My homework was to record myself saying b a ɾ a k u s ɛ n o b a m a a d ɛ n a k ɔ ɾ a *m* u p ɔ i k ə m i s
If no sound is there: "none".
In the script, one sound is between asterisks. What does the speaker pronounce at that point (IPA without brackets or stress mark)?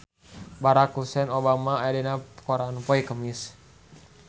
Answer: n